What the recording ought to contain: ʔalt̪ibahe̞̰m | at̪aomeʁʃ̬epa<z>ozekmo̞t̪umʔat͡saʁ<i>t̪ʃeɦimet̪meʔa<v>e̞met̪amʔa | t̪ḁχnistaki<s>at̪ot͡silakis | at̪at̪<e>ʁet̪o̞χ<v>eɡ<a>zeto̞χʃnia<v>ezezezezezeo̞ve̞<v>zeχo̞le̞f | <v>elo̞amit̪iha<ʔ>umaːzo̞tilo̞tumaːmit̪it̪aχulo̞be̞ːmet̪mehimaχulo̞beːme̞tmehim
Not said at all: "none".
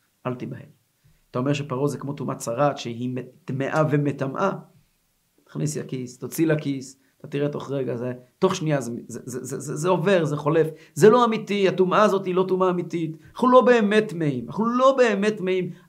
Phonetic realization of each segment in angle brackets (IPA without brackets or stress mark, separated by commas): ʁ, a, v, s, i, ʁ, a, z, ʁ, z, t